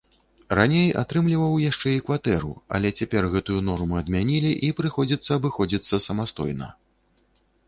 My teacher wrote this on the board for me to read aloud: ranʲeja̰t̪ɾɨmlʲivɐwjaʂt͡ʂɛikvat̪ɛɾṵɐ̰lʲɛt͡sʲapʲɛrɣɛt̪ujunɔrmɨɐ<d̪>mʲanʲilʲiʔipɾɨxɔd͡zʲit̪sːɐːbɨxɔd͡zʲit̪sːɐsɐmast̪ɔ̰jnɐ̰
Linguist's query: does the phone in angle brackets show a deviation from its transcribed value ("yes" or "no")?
no